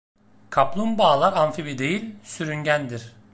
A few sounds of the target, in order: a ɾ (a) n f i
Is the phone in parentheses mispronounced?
no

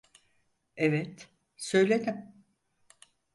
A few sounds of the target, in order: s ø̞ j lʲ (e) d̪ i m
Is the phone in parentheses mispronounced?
no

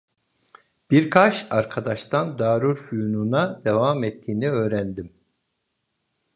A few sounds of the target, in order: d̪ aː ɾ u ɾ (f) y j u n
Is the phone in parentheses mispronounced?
no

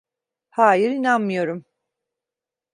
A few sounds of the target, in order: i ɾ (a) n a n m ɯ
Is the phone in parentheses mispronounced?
yes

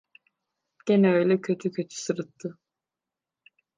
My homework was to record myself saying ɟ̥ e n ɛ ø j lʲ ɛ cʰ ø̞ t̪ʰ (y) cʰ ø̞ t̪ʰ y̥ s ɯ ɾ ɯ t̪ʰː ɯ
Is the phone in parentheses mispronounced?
no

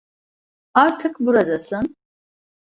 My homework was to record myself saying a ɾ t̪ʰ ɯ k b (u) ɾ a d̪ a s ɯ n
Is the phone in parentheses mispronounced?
no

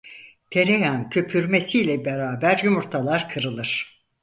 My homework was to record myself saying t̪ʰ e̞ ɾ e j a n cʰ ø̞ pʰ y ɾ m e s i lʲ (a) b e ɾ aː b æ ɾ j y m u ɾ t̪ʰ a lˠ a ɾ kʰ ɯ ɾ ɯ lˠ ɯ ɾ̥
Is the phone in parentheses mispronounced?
yes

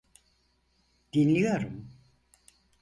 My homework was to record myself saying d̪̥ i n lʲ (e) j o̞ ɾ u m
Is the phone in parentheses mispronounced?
yes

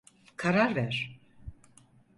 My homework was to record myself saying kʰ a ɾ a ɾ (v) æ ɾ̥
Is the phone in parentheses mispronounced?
no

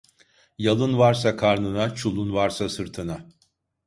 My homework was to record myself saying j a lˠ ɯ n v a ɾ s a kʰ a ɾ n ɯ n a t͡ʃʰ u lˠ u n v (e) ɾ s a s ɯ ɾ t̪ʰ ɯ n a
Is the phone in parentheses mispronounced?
yes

